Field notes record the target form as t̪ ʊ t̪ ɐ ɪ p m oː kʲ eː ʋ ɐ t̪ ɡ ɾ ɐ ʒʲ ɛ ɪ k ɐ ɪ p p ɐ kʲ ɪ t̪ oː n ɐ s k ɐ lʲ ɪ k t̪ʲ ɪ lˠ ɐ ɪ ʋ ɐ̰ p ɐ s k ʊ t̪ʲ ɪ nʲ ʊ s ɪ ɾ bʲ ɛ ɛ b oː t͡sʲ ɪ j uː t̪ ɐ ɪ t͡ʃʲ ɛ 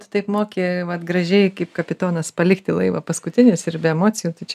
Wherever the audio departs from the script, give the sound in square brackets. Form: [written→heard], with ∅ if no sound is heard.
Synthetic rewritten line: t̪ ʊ t̪ ɐ ɪ p m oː kʲ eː ʋ ɐ t̪ ɡ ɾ ɐ ʒʲ ɛ ɪ k ɐ ɪ p [p→k] ɐ [kʲ→pʲ] ɪ t̪ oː n ɐ s [k→p] ɐ lʲ ɪ k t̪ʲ ɪ lˠ ɐ ɪ ʋ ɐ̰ p ɐ s k ʊ t̪ʲ ɪ nʲ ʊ s ɪ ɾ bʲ ɛ ɛ [b→m] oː t͡sʲ ɪ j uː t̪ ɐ ɪ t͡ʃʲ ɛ